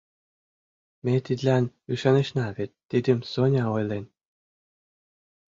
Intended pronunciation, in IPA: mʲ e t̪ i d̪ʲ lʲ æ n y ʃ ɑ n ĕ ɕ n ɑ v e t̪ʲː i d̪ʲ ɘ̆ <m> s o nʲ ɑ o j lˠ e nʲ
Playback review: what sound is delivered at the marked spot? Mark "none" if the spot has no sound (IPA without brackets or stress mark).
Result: m